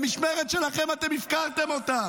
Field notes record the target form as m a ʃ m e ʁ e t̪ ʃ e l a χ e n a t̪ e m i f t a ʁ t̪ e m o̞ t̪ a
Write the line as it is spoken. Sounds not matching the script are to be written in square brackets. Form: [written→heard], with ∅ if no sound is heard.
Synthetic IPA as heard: m [a→i] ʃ m e ʁ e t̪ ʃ e l a χ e [n→m] a t̪ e m i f [t→k] a ʁ t̪ e m o̞ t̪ a

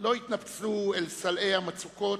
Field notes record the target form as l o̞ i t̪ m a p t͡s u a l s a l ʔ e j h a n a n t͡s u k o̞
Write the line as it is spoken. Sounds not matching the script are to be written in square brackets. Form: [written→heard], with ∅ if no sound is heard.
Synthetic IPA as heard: l o̞ i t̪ [m→n] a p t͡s u [a→e] l s a l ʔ e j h a [n→m] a [n→∅] t͡s u k o̞

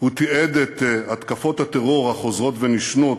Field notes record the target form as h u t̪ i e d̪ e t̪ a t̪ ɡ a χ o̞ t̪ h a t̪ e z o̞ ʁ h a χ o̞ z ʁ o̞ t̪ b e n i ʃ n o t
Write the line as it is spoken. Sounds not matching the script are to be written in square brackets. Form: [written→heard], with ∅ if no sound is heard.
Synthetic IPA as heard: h u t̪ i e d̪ e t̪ a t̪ [ɡ→k] a [χ→f] o̞ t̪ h a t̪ e [z→ʁ] o̞ ʁ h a χ o̞ z ʁ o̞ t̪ [b→v] e n i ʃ n o t

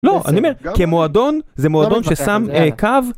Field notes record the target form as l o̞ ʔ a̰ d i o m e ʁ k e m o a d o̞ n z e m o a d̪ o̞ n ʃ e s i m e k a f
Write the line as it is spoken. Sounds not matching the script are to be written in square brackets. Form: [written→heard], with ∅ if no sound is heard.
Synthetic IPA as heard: l o̞ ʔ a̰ [d→n] i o m e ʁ k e m o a d o̞ n z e m o a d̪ o̞ n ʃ e s [i→a] m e k a [f→v]

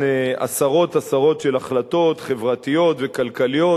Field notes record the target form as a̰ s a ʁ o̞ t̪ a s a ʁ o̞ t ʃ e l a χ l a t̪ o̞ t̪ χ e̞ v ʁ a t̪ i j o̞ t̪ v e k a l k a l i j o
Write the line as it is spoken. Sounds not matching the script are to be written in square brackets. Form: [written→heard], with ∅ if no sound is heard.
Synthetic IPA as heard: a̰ s a ʁ o̞ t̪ a s a ʁ o̞ t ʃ e l a χ l a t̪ o̞ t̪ χ e̞ v ʁ a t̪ i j o̞ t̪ v e k a l k a l i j o

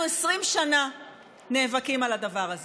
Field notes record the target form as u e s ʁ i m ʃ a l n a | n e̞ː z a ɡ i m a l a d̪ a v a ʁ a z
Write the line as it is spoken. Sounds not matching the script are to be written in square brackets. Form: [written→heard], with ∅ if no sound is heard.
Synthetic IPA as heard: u e s ʁ i m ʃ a [l→∅] n a | n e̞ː [z→v] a [ɡ→k] i m a l a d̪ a v a ʁ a z

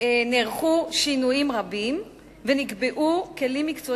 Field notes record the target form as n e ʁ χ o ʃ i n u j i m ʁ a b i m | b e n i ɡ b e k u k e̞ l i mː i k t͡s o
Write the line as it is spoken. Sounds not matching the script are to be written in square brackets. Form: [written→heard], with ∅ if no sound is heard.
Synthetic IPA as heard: n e ʁ χ [o→u] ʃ i n u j i m ʁ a b i m | [b→v] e n i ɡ b e [k→ʔ] u k e̞ l i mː i k t͡s o

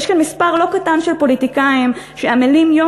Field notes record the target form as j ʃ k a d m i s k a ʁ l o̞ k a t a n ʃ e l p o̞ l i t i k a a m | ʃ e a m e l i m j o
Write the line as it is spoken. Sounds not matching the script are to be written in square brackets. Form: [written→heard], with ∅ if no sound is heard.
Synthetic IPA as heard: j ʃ k a [d→n] m i s [k→p] a ʁ l o̞ k a t a n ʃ e l p o̞ l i t i k a [a→i] m | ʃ e a m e l i m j o

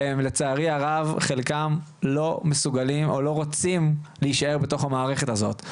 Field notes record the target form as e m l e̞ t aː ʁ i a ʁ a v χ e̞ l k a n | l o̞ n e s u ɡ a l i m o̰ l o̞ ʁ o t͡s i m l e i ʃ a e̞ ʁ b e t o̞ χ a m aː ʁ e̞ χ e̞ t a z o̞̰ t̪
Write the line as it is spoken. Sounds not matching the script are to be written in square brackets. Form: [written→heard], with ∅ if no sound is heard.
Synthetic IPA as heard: e m l e̞ [t→t͡s] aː ʁ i a ʁ a v χ e̞ l k a [n→m] | l o̞ [n→m] e s u ɡ a l i m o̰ l o̞ ʁ o t͡s i m l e i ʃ a e̞ ʁ b e t o̞ χ a m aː ʁ e̞ χ e̞ t a z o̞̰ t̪

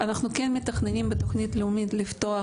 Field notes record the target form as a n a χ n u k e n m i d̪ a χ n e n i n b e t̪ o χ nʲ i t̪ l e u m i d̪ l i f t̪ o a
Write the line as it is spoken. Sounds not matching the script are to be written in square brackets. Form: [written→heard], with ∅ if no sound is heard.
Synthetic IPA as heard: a n a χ n u k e n m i [d̪→t̪] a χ n e n i [n→m] b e t̪ o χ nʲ i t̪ l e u m i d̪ l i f t̪ o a

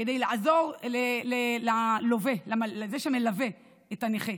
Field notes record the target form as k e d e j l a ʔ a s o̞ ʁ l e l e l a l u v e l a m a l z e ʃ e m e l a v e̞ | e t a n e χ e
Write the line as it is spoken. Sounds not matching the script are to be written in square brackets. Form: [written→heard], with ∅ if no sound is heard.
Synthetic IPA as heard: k e d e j l a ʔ a [s→z] o̞ ʁ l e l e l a l [u→o] v e l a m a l z e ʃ e m e l a v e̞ | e t a n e χ e

